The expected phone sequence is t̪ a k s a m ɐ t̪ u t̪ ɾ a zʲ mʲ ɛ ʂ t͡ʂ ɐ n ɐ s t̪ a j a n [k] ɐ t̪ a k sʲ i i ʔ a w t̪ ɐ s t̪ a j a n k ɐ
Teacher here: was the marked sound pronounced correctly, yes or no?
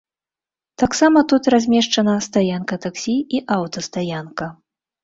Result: yes